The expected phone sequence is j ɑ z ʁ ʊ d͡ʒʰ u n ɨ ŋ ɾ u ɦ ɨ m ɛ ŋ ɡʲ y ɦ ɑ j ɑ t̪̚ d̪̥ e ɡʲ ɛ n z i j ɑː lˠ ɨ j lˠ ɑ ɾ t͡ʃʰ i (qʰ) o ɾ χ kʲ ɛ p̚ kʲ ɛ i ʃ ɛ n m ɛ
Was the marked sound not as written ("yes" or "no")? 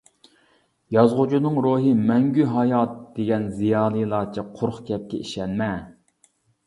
no